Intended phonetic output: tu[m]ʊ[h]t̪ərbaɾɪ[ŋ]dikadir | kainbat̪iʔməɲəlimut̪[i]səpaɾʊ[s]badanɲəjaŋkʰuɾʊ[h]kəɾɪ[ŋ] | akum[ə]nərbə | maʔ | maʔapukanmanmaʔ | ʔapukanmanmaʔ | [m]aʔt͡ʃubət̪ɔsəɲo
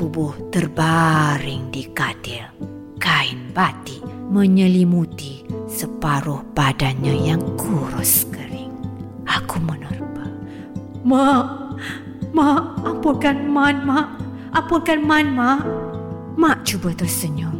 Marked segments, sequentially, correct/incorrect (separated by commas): incorrect, correct, correct, correct, incorrect, incorrect, correct, correct, correct